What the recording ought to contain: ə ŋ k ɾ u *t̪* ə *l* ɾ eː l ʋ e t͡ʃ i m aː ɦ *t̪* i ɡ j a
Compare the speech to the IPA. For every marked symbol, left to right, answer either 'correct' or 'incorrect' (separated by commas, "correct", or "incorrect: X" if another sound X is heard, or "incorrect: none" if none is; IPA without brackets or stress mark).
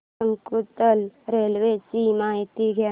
correct, correct, correct